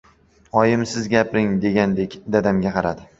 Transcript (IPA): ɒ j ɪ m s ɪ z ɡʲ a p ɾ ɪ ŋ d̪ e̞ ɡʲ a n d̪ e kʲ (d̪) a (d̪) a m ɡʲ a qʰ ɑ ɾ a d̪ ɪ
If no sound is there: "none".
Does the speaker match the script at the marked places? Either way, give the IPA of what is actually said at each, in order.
d̪, d̪

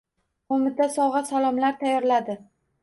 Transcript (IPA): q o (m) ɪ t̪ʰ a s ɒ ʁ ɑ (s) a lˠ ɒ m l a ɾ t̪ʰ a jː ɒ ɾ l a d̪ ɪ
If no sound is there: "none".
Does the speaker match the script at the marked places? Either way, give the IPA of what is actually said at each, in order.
m, s

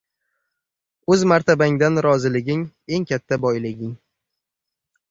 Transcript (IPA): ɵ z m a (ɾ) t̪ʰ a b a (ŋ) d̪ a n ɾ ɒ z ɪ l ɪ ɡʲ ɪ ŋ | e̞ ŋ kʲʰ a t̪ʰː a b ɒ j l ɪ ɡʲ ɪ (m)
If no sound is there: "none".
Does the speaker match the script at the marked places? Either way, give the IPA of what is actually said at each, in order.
ɾ, ŋ, ŋ

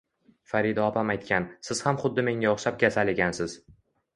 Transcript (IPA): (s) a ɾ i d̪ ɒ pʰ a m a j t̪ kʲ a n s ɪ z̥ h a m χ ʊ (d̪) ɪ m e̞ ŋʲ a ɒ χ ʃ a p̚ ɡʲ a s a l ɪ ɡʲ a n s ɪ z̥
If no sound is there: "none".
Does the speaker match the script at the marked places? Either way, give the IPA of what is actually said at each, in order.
f, d̪ː

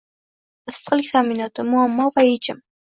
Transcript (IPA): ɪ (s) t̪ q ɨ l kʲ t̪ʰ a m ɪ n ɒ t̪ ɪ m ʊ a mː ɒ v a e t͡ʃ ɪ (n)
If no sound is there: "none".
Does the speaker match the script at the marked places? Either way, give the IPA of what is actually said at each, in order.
s, m

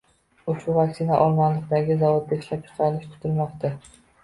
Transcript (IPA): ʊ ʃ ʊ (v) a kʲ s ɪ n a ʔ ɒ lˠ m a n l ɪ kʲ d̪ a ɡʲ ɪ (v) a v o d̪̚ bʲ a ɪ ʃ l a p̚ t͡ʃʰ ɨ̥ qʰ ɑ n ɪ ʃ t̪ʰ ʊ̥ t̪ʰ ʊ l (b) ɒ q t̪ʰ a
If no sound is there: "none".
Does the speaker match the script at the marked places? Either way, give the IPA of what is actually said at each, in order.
v, z, m

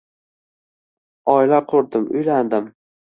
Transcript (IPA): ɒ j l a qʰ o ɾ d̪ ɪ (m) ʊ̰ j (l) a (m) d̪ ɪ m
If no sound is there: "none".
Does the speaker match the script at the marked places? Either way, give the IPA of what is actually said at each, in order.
m, l, n

